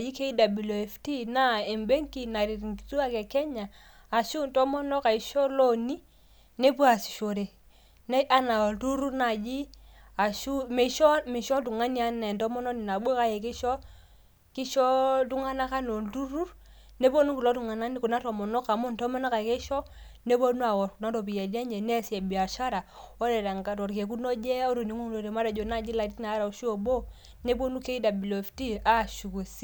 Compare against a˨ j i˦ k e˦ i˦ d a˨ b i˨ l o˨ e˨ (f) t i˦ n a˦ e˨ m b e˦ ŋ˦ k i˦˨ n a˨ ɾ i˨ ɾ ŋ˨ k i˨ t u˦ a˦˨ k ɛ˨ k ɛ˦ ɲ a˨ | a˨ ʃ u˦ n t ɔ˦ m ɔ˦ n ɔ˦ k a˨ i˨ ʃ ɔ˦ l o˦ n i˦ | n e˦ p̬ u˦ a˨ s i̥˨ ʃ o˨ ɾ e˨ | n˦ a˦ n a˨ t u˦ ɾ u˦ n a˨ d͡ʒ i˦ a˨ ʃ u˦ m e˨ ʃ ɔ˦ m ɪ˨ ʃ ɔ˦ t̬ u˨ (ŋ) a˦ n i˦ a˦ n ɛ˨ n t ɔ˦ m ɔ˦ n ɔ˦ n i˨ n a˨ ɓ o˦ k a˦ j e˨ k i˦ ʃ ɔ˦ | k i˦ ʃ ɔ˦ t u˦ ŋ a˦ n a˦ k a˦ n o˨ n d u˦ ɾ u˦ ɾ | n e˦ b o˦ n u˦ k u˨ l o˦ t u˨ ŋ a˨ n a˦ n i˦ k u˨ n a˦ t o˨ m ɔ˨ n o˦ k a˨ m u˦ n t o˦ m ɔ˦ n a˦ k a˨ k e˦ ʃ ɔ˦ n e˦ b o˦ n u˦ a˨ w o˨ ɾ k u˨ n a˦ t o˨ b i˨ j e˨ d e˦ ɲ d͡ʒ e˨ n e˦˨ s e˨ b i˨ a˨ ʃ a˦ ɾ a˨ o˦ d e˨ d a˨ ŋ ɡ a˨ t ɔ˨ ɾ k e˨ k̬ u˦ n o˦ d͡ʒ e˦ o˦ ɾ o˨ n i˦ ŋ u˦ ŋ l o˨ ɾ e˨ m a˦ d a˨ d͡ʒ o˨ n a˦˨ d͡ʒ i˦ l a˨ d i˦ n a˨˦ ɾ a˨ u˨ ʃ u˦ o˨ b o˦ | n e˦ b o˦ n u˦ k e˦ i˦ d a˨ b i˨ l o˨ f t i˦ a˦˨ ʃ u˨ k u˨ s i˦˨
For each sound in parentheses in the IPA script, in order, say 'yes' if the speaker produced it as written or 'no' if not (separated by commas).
yes, yes